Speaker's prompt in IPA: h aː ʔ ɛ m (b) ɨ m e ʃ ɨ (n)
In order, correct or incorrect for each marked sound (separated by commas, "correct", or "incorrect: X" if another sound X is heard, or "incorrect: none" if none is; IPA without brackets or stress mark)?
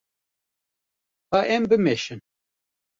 correct, correct